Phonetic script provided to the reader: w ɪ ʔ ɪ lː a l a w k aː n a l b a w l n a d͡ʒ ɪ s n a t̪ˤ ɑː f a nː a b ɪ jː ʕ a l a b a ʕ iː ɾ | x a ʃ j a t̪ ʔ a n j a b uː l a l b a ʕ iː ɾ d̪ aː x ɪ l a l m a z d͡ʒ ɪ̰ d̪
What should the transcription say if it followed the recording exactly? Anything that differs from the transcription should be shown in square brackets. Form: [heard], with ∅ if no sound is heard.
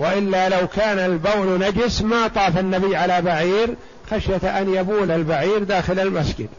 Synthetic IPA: w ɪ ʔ ɪ lː a l a w k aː n a l b a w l n a d͡ʒ ɪ s [m] a t̪ˤ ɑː f a nː a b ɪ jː ʕ a l a b a ʕ iː ɾ | x a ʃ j a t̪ ʔ a n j a b uː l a l b a ʕ iː ɾ d̪ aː x ɪ l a l m a [s] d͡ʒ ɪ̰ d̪